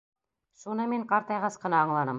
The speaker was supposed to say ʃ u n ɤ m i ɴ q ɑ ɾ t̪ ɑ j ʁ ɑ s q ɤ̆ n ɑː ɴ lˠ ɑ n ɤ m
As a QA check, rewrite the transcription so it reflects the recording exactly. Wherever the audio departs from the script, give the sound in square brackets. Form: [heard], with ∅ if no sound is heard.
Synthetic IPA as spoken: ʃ u n ɤ m i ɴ q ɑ ɾ t̪ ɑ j ʁ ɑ s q ɤ̆ n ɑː ɴ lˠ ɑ n ɤ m

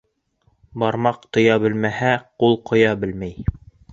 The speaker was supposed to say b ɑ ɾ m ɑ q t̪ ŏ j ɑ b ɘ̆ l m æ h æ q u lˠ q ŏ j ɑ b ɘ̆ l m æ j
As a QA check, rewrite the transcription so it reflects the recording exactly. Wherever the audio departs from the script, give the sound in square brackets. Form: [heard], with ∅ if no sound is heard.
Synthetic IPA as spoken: b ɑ ɾ m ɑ q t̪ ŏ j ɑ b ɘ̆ l m æ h æ q u lˠ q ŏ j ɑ b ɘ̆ l m æ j

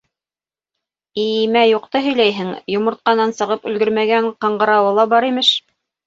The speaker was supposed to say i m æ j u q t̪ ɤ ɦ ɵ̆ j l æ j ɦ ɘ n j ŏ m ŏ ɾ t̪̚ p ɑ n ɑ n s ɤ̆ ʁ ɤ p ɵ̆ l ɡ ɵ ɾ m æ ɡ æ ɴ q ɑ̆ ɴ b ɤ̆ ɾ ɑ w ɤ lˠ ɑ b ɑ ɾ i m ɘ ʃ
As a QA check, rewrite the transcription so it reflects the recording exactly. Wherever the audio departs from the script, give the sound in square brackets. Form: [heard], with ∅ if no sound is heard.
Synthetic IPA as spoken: i m æ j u q t̪ ɤ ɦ ɵ̆ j l æ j ɦ ɘ [ŋ] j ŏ m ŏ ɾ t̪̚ [q] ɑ n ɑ n s ɤ̆ ʁ ɤ p ɵ̆ l ɡ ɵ ɾ m æ ɡ æ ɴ q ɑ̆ ɴ [ɢ] ɤ̆ ɾ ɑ w ɤ lˠ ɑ b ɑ ɾ i m ɘ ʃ

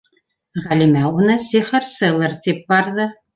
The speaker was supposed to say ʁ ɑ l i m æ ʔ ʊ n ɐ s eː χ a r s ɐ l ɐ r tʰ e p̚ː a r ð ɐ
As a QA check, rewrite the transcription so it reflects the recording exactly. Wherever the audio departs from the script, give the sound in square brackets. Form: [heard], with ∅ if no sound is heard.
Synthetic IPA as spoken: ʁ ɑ l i m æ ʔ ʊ n ɐ s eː χ [ɐ] r s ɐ l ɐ r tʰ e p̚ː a r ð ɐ

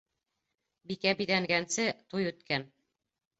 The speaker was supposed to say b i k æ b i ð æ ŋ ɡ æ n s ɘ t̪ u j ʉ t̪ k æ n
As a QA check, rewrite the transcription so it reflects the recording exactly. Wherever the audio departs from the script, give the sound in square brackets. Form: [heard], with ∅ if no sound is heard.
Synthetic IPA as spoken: b i k æ b i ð æ ŋ ɡ æ n s ɘ t̪ u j ʉ t̪ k æ n

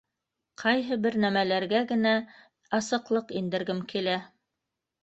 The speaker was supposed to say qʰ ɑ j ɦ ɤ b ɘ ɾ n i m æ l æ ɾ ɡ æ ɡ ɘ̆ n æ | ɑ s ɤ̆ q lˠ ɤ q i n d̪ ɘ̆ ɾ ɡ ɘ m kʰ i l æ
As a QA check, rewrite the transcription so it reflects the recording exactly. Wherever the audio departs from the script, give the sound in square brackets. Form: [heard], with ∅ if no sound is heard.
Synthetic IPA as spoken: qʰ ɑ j ɦ ɤ b ɘ ɾ n [æ] m æ l æ ɾ ɡ æ ɡ ɘ̆ n æ | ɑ s ɤ̆ q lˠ ɤ q i n d̪ ɘ̆ ɾ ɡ ɘ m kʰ i l æ

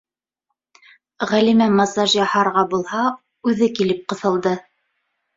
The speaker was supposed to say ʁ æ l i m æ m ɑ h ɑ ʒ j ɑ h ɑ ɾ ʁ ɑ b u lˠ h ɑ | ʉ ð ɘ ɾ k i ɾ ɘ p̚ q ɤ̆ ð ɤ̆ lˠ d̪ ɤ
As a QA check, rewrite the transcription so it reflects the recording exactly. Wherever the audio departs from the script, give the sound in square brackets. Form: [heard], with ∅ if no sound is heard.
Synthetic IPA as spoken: ʁ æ l i m æ m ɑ [s] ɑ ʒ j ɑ h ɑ ɾ ʁ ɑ b u lˠ h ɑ | ʉ ð ɘ [∅] k i [l] ɘ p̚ q ɤ̆ [θ] ɤ̆ lˠ d̪ ɤ

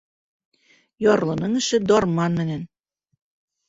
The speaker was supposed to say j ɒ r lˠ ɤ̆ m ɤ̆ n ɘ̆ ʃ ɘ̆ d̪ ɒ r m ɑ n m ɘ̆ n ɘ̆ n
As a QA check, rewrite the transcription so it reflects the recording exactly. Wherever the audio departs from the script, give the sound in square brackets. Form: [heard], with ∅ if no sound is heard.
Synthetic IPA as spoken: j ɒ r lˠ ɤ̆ [n] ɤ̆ [ŋ] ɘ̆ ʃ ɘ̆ d̪ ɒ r m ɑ n m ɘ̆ n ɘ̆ n

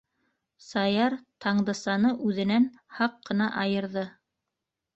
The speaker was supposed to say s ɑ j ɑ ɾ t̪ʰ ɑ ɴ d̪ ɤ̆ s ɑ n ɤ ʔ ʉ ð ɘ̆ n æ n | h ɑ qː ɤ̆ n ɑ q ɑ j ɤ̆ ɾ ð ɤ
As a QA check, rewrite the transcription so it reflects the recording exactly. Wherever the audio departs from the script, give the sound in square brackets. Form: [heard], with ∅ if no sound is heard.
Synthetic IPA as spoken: s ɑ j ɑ ɾ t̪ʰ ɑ ɴ d̪ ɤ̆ s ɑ n ɤ ʔ ʉ ð ɘ̆ n æ n | h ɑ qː ɤ̆ n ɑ [ʔ] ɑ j ɤ̆ ɾ ð ɤ

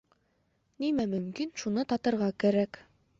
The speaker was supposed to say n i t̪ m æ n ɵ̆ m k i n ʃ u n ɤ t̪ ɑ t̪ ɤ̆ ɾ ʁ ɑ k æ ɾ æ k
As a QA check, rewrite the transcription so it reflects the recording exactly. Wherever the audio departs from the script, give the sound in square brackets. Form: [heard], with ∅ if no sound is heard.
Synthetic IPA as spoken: n i [∅] m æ [m] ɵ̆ m k i n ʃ u n ɤ t̪ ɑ t̪ ɤ̆ ɾ ʁ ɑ k æ ɾ æ k

